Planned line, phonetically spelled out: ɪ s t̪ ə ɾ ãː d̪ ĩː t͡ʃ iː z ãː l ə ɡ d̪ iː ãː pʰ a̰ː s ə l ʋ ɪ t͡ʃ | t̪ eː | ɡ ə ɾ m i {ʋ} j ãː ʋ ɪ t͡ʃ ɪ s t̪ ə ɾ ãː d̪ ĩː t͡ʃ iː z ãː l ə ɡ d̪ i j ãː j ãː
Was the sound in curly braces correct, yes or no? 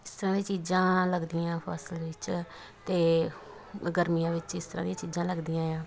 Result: no